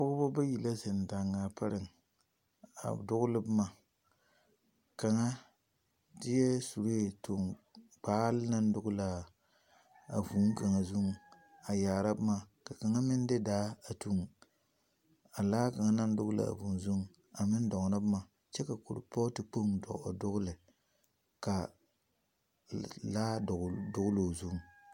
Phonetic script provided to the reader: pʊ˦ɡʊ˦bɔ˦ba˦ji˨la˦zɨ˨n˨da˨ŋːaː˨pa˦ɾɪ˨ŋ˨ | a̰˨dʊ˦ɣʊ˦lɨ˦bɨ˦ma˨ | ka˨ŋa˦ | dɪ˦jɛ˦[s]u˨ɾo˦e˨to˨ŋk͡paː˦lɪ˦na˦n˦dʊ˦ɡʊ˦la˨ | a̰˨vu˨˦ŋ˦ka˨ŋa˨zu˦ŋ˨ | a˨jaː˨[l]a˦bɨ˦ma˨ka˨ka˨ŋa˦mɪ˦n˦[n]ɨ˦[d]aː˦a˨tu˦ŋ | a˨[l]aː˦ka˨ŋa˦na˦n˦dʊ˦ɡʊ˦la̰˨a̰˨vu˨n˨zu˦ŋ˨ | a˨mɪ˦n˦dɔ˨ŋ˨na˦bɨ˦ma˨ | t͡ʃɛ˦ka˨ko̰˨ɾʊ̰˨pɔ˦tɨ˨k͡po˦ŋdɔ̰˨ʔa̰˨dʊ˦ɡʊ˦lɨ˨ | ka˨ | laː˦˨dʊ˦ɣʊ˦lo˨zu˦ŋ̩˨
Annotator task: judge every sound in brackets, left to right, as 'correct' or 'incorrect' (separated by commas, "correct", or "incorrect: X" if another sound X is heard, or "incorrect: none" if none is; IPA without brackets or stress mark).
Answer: correct, incorrect: ɾ, incorrect: d, correct, correct